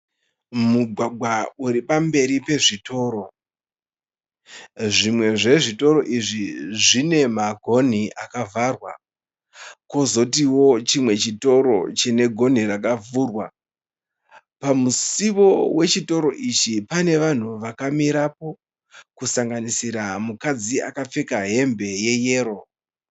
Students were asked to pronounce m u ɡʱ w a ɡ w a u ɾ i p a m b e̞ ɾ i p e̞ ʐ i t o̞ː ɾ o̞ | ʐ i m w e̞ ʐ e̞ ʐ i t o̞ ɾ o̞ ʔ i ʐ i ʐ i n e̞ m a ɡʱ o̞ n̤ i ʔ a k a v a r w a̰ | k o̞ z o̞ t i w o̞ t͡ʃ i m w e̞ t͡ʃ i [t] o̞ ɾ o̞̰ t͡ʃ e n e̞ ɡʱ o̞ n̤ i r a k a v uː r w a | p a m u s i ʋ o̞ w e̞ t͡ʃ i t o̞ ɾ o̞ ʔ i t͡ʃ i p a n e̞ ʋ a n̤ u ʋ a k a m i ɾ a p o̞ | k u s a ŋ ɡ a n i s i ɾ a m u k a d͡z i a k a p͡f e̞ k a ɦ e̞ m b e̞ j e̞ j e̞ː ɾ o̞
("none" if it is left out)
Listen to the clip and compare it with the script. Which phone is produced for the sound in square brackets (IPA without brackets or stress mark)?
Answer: t